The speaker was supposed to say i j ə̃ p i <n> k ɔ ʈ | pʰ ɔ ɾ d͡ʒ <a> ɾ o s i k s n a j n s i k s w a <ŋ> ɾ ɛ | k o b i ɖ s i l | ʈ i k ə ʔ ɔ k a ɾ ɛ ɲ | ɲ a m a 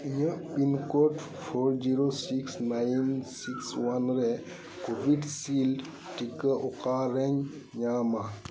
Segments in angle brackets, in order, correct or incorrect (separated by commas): correct, incorrect, incorrect